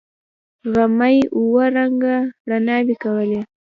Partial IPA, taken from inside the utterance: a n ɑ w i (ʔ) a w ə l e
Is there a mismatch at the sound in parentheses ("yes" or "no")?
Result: yes